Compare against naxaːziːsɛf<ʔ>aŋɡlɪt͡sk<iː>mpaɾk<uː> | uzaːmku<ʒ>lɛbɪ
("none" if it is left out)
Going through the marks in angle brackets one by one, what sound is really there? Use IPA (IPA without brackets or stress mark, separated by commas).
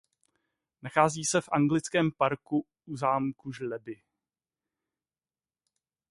ʔ, ɛː, u, ʒ